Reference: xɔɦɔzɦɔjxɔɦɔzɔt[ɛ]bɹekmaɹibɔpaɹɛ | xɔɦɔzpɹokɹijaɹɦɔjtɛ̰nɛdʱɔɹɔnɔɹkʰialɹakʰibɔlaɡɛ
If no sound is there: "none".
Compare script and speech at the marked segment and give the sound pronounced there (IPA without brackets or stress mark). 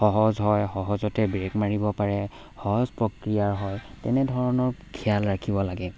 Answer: ɛ